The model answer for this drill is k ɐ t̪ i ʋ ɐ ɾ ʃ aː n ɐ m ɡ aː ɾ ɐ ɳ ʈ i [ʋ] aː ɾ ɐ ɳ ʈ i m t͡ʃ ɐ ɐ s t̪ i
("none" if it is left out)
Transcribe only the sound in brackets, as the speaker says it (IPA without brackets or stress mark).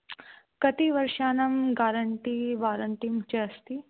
ʋ